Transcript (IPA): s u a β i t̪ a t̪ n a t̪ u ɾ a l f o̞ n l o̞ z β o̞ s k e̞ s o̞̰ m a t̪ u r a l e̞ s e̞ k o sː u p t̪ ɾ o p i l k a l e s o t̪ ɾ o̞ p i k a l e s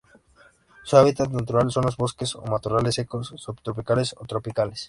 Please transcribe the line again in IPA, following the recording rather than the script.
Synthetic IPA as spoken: s u a β i t̪ a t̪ n a t̪ u ɾ a l s o̞ n l o̞ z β o̞ s k e̞ s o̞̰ m a t̪ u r a l e̞ s e̞ k o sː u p t̪ ɾ o p i k a l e s o t̪ ɾ o̞ p i k a l e s